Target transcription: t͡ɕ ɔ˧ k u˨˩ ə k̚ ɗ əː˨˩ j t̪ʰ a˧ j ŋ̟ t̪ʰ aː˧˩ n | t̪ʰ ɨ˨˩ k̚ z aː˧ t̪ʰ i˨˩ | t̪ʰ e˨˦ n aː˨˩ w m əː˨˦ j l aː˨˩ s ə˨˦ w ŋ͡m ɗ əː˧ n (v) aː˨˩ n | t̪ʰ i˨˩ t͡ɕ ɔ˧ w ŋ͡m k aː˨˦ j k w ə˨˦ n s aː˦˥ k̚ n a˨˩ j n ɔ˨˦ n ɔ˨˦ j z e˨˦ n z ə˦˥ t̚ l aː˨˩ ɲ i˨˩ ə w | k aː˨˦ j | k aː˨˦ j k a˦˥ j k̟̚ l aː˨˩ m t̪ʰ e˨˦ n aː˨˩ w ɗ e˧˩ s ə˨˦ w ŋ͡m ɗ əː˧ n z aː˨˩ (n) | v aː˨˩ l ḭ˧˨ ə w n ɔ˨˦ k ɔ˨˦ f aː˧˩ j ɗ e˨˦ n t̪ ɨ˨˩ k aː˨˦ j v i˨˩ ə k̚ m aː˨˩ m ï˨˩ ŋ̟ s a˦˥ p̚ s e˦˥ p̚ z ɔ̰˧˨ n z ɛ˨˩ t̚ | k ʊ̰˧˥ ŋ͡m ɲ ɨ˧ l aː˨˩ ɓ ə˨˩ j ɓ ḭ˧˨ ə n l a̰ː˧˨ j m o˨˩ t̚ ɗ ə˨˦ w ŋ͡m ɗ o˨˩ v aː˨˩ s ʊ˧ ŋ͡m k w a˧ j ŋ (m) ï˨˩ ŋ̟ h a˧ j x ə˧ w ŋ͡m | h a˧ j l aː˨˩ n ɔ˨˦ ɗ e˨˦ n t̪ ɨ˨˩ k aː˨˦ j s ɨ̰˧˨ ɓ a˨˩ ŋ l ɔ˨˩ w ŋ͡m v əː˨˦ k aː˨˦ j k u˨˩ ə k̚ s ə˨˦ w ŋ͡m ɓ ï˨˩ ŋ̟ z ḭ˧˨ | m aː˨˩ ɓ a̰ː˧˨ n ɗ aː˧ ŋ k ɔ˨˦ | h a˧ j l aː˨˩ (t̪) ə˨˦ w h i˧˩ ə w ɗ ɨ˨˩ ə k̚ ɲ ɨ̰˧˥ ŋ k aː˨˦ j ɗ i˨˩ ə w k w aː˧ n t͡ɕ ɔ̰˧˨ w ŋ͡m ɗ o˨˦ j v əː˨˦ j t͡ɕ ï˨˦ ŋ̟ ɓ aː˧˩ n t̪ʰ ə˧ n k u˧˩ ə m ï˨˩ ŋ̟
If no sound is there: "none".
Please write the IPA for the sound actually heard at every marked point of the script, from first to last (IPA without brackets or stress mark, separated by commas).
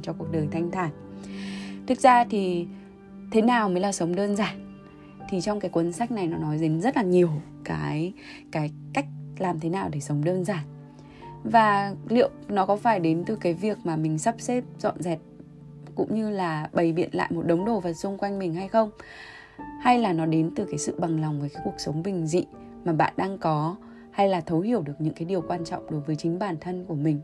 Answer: z, n, m, t̪ʰ